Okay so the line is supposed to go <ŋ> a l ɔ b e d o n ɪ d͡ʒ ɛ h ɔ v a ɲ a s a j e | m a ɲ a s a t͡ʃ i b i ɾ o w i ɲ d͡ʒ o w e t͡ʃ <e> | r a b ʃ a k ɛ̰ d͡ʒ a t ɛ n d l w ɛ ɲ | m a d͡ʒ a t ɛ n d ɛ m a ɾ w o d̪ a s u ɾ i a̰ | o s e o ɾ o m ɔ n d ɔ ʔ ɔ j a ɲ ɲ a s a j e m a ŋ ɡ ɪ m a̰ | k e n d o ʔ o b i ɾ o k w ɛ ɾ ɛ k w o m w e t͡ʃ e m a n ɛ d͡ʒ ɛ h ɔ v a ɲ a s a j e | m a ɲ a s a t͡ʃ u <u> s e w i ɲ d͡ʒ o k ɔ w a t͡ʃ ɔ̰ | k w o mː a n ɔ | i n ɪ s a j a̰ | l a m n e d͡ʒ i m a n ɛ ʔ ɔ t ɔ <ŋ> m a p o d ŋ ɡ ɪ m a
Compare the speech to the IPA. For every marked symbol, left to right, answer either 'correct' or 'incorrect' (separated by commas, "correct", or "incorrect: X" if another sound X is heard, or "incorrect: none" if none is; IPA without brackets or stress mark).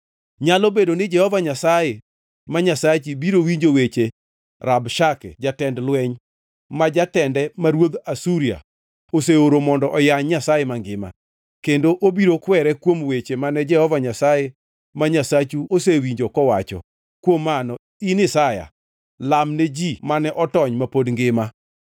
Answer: incorrect: ɲ, correct, incorrect: o, incorrect: ɲ